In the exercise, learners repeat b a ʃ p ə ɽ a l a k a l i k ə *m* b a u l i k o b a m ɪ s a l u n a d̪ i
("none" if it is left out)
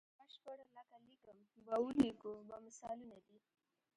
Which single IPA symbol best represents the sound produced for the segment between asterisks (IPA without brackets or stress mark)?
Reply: m